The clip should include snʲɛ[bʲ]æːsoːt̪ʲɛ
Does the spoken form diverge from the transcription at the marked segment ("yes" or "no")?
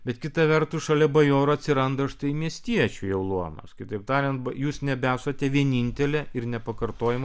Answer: no